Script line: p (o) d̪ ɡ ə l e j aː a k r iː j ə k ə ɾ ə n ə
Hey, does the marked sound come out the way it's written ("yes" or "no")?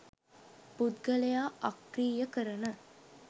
no